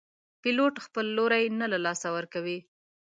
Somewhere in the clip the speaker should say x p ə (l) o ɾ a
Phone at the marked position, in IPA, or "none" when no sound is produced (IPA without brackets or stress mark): lː